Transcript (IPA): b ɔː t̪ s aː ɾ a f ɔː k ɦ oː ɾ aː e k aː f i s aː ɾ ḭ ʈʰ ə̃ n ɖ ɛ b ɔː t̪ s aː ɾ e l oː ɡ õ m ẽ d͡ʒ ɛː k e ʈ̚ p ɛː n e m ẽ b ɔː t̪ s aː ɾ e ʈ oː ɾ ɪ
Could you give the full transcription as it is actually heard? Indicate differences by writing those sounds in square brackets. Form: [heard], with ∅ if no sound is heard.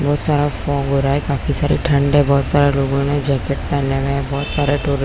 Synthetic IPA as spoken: b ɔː t̪ s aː ɾ a f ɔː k ɦ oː ɾ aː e k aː f i s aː ɾ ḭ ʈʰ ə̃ [ɳ] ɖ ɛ b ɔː t̪ s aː ɾ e l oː ɡ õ m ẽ d͡ʒ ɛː k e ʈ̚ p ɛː n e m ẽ b ɔː t̪ s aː ɾ e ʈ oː ɾ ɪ